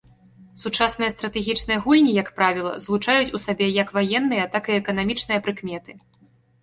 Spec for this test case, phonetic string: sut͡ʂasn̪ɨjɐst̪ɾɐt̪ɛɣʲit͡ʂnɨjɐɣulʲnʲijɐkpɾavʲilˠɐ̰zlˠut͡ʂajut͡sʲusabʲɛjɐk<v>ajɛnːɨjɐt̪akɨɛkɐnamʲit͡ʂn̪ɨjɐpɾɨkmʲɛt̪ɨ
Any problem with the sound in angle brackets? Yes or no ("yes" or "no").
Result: no